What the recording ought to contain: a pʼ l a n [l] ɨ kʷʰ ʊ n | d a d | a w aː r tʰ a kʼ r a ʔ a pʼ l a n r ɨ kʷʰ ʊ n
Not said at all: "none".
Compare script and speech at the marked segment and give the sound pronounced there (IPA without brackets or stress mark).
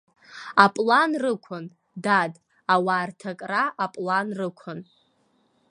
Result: r